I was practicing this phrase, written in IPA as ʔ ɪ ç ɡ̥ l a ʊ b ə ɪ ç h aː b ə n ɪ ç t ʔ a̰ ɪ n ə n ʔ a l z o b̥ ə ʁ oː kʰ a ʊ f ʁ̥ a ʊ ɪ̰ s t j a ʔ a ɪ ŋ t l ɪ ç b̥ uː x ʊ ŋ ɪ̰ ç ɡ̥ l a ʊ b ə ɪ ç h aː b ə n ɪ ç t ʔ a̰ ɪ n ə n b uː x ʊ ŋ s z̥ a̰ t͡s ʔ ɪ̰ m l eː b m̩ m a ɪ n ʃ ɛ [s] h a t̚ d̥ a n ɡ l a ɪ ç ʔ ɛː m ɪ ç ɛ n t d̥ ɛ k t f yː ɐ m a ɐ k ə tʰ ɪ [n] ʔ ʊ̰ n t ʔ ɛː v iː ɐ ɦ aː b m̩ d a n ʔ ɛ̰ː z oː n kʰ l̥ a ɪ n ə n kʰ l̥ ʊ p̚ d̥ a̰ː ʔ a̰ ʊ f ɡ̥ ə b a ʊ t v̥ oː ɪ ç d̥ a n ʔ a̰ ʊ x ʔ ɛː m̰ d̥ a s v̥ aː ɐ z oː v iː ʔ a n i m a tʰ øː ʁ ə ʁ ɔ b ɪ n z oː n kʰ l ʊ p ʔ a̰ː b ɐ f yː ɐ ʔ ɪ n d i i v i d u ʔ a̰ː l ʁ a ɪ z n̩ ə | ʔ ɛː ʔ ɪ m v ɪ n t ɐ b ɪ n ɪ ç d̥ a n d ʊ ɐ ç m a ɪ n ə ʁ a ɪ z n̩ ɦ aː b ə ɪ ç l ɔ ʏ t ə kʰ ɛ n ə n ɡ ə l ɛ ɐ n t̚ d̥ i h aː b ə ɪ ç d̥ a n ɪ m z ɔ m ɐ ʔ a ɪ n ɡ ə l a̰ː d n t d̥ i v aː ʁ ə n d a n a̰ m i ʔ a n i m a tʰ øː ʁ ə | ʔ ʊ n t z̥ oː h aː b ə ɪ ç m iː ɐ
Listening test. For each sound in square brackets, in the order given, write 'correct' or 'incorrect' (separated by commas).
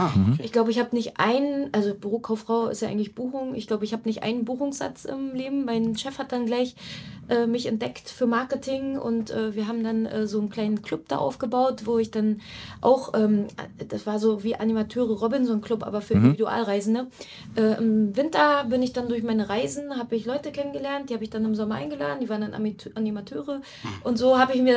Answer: incorrect, incorrect